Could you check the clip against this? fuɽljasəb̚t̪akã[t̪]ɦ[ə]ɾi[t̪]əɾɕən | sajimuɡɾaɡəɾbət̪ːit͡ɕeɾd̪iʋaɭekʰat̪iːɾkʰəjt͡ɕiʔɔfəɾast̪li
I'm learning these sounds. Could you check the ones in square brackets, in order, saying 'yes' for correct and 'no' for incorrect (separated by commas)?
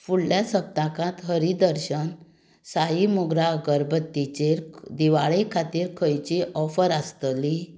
yes, yes, no